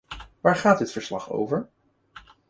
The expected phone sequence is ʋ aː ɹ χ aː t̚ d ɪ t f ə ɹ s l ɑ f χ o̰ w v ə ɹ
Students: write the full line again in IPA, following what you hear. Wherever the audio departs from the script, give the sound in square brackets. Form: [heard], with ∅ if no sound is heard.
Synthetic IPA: ʋ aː ɹ χ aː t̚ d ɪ t f ə ɹ s l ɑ [∅] χ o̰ w v ə ɹ